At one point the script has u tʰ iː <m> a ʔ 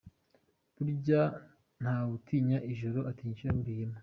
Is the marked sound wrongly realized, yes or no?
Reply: yes